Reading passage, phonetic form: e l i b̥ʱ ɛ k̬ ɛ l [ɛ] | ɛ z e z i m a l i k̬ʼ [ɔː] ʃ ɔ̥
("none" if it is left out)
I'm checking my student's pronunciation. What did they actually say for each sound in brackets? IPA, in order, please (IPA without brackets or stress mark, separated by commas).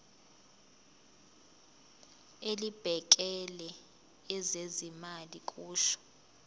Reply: ɛ, uː